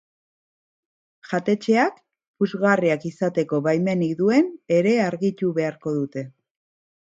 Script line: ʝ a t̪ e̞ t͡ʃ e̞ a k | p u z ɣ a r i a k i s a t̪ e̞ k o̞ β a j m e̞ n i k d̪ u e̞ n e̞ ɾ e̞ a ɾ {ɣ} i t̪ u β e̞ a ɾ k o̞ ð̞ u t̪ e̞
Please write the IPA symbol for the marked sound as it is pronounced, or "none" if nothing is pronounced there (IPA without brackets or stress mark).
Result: ɣ